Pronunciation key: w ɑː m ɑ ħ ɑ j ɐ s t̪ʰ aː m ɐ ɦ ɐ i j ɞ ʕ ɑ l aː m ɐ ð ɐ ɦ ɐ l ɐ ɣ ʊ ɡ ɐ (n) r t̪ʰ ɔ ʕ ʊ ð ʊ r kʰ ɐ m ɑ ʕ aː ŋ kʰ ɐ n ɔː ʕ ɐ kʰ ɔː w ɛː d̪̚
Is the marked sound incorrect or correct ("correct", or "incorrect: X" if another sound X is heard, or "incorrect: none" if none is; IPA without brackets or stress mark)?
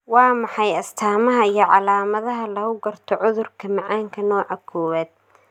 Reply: incorrect: none